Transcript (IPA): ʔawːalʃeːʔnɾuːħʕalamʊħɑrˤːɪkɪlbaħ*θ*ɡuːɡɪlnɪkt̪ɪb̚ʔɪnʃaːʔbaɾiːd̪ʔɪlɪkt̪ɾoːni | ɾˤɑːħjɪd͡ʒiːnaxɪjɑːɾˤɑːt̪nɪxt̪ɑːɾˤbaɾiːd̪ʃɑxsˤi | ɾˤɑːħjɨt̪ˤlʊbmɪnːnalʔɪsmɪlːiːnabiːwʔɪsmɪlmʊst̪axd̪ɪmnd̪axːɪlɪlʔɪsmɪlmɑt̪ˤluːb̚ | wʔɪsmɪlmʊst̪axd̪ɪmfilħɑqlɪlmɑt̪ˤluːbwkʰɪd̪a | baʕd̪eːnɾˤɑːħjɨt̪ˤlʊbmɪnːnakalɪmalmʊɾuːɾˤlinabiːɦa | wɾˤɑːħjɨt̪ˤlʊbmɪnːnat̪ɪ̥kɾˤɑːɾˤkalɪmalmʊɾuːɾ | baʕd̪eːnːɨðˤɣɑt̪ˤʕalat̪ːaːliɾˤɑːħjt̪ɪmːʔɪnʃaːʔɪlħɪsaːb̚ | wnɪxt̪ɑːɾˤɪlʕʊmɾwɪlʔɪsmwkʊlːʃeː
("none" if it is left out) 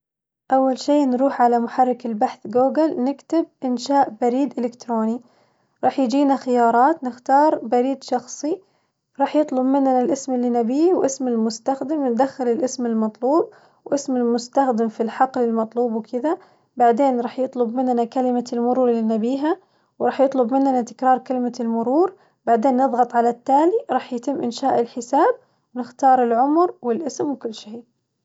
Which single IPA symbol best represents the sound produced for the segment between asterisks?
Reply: θ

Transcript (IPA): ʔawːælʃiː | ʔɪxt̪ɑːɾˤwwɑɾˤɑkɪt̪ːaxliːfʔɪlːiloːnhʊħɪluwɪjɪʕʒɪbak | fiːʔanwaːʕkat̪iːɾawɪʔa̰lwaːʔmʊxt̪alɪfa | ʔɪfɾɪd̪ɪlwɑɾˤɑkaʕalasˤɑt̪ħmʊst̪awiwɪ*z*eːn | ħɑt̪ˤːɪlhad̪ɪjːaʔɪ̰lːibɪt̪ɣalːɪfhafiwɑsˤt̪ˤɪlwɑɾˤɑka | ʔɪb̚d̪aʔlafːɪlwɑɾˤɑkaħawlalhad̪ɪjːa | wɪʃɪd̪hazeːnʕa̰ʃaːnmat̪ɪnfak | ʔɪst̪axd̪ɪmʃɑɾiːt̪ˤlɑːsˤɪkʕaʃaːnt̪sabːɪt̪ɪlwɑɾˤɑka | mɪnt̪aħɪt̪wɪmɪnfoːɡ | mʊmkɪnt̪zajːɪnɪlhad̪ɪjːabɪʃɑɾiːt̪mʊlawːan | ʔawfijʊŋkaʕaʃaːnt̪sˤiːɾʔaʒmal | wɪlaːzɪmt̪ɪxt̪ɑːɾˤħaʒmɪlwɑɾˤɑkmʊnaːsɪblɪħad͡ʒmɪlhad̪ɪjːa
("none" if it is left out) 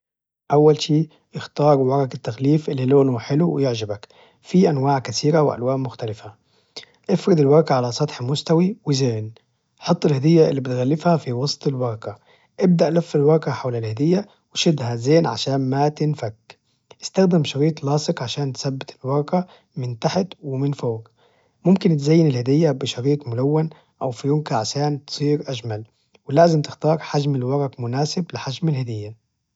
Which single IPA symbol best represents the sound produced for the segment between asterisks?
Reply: z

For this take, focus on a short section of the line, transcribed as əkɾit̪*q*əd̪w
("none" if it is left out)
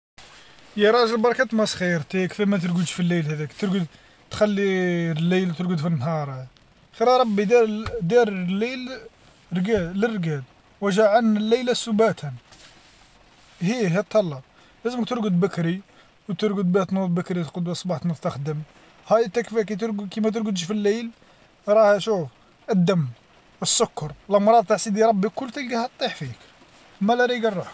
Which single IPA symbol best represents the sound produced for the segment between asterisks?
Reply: q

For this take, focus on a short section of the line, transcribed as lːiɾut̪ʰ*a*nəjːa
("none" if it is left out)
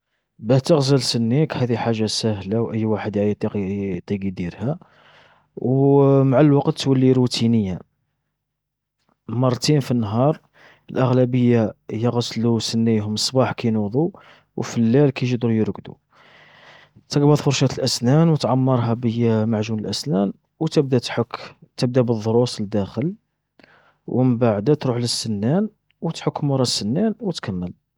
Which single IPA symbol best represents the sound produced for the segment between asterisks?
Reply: i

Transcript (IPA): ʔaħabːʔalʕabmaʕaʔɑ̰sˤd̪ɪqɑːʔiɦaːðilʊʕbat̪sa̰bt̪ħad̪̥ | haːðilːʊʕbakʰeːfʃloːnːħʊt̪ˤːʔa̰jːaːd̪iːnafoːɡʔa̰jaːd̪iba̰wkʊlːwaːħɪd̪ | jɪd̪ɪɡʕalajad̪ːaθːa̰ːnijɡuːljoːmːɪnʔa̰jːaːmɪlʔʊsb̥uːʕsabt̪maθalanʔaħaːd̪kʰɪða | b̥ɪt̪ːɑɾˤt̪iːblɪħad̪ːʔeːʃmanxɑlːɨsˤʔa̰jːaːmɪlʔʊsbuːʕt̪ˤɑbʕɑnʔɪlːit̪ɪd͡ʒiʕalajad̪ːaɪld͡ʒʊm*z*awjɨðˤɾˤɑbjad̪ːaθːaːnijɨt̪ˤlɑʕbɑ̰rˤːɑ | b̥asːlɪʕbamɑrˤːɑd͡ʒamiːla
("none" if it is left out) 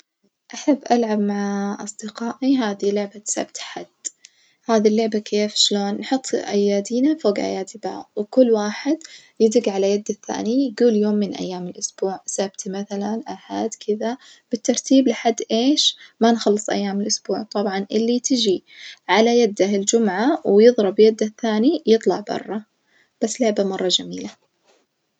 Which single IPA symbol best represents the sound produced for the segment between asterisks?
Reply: ʕ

